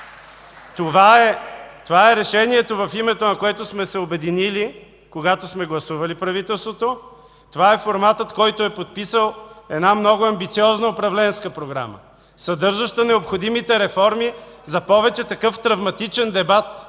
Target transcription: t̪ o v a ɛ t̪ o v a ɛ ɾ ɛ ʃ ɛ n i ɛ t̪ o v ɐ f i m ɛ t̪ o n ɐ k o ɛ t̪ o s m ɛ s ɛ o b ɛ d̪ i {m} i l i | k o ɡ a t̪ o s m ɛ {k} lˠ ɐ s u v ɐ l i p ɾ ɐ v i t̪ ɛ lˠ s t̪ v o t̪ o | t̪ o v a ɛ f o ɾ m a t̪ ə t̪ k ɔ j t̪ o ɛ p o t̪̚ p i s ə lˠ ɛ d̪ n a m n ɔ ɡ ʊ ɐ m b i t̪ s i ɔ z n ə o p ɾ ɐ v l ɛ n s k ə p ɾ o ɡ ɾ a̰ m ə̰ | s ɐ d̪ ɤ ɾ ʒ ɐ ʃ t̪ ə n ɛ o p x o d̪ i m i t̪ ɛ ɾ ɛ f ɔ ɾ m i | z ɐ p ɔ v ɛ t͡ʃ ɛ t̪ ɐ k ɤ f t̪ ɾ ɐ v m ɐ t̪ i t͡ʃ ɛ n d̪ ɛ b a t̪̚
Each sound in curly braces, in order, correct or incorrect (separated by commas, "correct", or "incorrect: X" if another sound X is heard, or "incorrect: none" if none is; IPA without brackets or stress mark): incorrect: n, incorrect: ɡ